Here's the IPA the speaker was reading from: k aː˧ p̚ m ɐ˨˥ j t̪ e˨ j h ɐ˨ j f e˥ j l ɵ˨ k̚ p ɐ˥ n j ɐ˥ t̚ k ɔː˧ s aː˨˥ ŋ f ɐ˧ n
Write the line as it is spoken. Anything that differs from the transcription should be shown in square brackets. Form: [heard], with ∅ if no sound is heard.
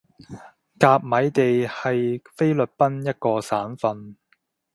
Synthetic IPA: k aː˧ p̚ m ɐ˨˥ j t̪ e˨ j h ɐ˨ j f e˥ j l ɵ˨ [t̚] p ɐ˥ n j ɐ˥ t̚ k ɔː˧ s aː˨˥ [n] f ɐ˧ n